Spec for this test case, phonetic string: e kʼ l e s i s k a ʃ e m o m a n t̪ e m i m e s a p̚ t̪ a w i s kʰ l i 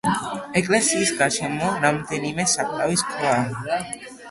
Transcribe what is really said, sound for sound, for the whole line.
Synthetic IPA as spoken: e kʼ l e s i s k a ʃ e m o n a m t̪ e n i m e s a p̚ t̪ a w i s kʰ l a

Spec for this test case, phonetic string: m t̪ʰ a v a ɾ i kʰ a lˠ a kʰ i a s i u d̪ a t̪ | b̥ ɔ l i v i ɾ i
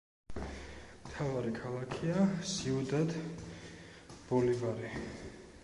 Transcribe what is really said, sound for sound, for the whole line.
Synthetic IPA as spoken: m t̪ʰ a v a ɾ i kʰ a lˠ a kʰ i a s i u d̪ a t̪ | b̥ ɔ l i v a ɾ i

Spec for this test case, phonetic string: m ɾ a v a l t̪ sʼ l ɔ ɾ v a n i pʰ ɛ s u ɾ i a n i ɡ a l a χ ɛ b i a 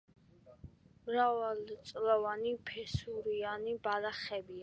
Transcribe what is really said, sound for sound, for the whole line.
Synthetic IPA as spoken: m ɾ a v a l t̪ sʼ l ɔ v a n i pʰ ɛ s u ɾ i a n i b a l a χ ɛ b i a

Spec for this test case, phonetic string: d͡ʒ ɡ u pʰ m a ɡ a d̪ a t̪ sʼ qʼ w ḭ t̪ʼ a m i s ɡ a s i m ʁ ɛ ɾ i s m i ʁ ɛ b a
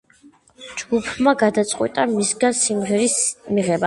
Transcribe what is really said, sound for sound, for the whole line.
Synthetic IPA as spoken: d͡ʒ ɡ u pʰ m a ɡ a d̪ a t̪ sʼ qʼ w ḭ t̪ʼ a m i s ɡ a s i m ʁ ɛ ɾ i s m i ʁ ɛ b a

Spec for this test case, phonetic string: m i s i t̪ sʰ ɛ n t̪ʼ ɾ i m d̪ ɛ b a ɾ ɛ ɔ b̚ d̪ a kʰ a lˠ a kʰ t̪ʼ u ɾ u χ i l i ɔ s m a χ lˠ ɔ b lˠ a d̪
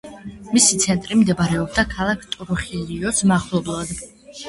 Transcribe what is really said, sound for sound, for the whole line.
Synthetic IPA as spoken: m i s i t̪ sʰ ɛ n t̪ʼ ɾ i m d̪ ɛ b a ɾ ɛ ɔ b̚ d̪ a kʰ a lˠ a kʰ t̪ʼ u ɾ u χ i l i ɔ s m a χ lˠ ɔ b lˠ a d̪

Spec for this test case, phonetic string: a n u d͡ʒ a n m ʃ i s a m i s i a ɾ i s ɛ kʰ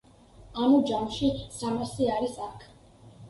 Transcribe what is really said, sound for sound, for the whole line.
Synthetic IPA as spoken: a n u d͡ʒ a m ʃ i s a m a s i a ɾ i s a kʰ

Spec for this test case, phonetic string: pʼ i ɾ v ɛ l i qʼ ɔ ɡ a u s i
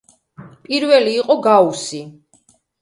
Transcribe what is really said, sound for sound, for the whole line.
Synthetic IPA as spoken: pʼ i ɾ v ɛ l iː qʼ ɔ ɡ a u s i

